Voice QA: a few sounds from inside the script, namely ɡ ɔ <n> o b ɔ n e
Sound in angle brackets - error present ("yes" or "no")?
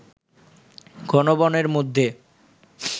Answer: no